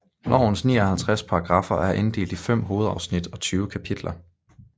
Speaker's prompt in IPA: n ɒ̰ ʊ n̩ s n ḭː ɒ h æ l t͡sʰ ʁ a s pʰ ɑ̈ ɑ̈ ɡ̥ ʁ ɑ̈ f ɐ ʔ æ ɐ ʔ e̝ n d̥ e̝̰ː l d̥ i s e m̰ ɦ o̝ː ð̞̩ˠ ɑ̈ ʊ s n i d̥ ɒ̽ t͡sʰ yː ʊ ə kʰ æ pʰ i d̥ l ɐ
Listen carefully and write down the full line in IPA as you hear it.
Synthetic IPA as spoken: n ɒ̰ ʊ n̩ s n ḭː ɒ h æ l t͡sʰ ʁ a s pʰ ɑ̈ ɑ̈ ɡ̥ ʁ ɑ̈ f ɐ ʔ æ ɐ ʔ e̝ n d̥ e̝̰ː l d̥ i f e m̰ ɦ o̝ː ð̞̩ˠ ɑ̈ ʊ s n i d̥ ɒ̽ t͡sʰ yː ʊ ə kʰ æ pʰ i d̥ l ɐ